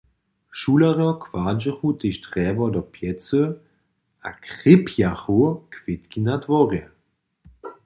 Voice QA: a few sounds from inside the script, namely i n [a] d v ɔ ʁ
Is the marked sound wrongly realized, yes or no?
no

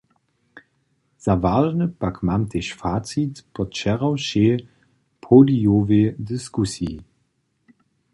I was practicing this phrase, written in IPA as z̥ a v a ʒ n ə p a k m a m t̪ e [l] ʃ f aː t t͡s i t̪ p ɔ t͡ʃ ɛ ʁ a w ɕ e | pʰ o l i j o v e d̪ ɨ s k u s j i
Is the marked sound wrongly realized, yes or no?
yes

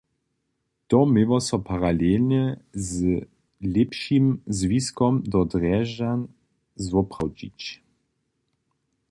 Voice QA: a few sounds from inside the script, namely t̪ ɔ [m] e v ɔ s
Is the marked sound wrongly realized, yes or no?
no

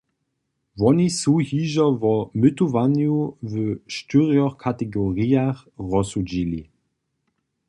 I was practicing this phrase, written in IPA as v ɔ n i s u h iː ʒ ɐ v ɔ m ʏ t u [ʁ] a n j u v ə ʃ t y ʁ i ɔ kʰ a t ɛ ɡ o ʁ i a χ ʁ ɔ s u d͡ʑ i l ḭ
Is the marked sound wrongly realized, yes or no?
yes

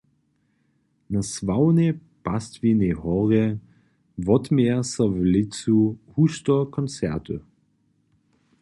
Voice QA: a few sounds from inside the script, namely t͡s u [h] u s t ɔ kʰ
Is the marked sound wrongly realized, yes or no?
no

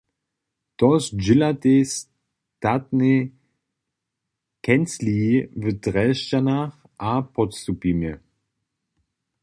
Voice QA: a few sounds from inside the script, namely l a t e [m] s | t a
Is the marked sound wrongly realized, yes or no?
yes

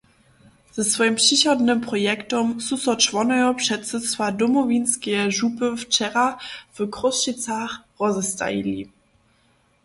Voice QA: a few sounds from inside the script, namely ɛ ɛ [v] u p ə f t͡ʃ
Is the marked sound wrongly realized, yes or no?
yes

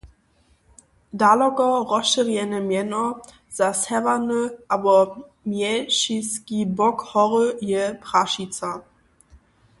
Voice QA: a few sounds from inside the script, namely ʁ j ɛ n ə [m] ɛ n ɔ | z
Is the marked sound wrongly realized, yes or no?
no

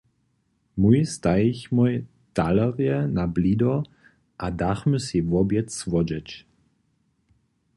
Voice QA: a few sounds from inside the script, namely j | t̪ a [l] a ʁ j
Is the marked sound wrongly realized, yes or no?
no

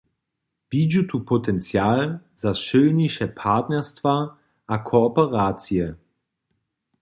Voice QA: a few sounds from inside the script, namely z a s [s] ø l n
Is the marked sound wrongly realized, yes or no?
yes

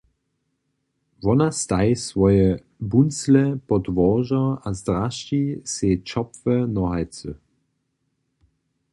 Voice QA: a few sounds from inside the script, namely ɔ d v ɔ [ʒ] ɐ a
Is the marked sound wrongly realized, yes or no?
no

